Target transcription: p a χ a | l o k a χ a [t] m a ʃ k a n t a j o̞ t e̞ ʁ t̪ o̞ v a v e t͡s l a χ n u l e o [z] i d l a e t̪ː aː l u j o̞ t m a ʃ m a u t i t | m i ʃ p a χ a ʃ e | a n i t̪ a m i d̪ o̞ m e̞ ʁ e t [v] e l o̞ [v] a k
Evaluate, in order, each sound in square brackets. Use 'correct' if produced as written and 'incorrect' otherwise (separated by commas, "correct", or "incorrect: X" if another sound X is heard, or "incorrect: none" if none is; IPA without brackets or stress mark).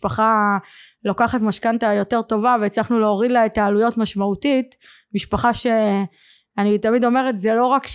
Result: correct, incorrect: ʁ, incorrect: z, incorrect: ʁ